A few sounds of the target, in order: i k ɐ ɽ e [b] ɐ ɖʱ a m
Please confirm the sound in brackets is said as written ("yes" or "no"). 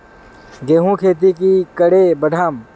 yes